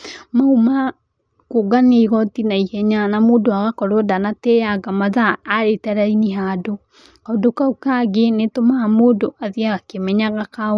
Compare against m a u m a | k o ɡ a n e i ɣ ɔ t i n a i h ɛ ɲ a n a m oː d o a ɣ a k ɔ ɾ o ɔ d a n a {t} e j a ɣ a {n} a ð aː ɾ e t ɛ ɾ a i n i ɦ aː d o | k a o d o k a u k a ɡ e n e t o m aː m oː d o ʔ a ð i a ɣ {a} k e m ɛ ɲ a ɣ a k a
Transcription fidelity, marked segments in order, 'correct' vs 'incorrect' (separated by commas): correct, incorrect, correct